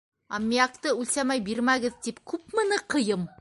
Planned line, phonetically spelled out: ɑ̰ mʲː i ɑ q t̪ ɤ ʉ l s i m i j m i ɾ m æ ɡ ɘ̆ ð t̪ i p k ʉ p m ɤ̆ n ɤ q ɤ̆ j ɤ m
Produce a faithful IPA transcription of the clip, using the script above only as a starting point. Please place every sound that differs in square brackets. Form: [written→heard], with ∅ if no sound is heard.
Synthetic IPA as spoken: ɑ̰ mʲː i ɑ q t̪ ɤ ʉ l s [i→æ] m [i→æ] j [m→b] i ɾ m æ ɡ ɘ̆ ð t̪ i p k ʉ p m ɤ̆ n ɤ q ɤ̆ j ɤ m